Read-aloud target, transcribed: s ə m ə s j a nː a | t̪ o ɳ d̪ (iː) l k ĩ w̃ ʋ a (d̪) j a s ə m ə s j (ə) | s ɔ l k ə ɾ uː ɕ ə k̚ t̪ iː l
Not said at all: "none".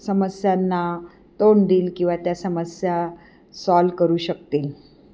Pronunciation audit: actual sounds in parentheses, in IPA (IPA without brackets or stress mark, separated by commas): iː, t̪, a